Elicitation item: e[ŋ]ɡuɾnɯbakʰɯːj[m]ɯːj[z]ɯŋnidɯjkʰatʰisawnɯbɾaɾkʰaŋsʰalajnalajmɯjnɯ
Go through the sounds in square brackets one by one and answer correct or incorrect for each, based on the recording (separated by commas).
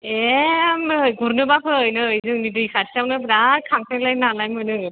incorrect, incorrect, correct